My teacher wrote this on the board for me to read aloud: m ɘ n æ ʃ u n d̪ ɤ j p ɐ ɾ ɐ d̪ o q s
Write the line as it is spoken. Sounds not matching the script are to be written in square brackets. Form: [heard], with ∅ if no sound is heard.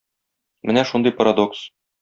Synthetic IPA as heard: m ɘ n æ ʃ u n d̪ ɤ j p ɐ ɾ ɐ d̪ o [k] s